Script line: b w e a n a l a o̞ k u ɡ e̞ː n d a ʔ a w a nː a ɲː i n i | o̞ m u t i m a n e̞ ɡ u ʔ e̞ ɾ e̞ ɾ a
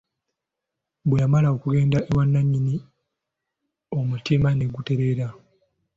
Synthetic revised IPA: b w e a m a l a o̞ k u ɡ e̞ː n d a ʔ e w a nː a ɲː i n i | o̞ m u t i m a n e̞ ɡ u t e̞ ɾ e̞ ɾ a